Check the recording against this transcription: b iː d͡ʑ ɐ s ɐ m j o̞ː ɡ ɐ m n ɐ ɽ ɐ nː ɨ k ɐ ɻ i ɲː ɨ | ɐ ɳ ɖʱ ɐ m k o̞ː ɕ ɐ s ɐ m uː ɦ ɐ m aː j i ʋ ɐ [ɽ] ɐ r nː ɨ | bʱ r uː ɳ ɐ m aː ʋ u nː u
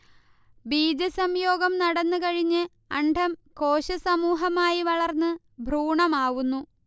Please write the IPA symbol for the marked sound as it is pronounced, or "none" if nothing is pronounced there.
ɭ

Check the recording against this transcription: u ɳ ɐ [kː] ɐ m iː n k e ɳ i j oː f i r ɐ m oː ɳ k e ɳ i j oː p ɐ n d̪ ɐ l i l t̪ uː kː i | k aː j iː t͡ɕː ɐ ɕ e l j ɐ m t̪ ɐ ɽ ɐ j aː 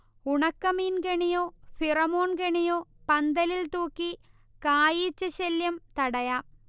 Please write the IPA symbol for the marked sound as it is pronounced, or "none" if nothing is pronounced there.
kː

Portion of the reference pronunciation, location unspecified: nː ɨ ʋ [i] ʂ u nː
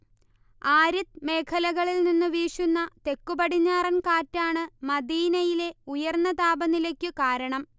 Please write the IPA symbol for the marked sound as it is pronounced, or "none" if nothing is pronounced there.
iː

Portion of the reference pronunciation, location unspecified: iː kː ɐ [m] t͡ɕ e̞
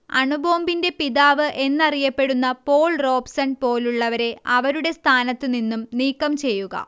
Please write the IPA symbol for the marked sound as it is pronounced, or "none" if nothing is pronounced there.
m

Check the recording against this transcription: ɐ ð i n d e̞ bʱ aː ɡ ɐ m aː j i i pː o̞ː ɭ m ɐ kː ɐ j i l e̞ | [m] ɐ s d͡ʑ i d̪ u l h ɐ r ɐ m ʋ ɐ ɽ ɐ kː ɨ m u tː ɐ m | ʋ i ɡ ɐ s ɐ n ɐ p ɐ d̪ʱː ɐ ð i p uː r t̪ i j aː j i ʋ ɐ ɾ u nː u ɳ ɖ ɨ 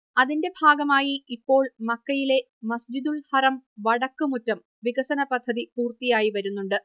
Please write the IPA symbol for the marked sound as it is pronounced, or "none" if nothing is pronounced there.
m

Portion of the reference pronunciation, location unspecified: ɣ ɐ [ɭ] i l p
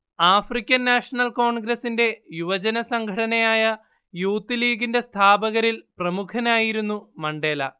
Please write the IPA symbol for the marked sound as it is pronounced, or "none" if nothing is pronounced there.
ɾ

